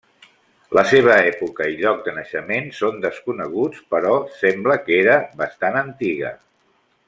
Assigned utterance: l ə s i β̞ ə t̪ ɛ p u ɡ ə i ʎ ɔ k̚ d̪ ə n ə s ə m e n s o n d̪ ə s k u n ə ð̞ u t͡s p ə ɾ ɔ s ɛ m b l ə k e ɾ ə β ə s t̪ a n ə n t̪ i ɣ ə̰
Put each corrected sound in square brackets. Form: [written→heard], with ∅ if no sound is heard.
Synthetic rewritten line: l ə s [i→e] β̞ ə [t̪→∅] ɛ p u [ɡ→k] ə i ʎ ɔ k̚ d̪ ə n ə [s→ʃ] ə m e n s o n d̪ ə s k u n ə [ð̞→ɣ̞] u t͡s p ə ɾ ɔ s ɛ m b l ə k e ɾ ə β ə s t̪ a n ə n t̪ i ɣ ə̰